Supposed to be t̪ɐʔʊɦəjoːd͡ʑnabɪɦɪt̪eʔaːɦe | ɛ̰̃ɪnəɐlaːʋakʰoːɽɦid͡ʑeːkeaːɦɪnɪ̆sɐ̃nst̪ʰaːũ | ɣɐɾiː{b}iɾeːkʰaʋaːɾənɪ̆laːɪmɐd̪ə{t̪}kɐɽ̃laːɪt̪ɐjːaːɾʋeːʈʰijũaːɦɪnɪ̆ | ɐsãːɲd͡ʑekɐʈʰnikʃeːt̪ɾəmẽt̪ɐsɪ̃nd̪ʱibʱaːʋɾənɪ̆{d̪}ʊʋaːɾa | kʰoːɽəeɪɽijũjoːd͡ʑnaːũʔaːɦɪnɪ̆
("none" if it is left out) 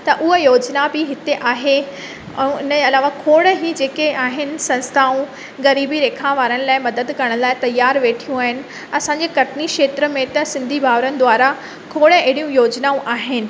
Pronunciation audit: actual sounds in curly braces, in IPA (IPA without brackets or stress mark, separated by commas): b, d̪, d̪